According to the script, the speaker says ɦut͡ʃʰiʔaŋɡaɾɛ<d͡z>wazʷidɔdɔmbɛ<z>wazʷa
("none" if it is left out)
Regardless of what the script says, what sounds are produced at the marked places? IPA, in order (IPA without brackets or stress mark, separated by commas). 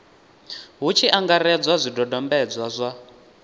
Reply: d͡z, d͡z